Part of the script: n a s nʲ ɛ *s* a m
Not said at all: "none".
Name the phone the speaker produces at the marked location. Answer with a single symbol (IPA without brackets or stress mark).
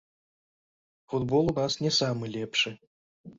s